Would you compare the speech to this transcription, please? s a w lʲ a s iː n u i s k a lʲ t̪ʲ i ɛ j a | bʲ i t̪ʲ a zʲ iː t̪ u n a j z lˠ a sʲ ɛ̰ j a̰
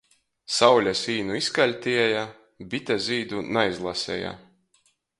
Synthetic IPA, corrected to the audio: s a w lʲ a s iː n u i s k a lʲ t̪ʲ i ɛ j a | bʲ i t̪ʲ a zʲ iː d̪ u n a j z lˠ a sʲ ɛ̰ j a̰